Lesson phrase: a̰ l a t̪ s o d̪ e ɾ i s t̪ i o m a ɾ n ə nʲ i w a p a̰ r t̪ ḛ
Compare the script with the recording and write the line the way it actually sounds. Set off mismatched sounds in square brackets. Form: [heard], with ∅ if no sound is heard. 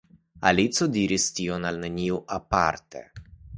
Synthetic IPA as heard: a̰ l [i] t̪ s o d̪ [i] ɾ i s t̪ i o [n] a [l] n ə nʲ i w a p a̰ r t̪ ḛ